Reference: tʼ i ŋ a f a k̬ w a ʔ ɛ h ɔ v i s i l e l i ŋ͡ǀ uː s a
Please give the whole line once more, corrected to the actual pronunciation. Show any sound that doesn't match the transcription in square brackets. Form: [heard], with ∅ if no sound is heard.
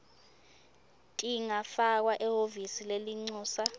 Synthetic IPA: tʼ i ŋ a f a k̬ w a ʔ ɛ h [o] v i s i l e l i ŋ͡ǀ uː s a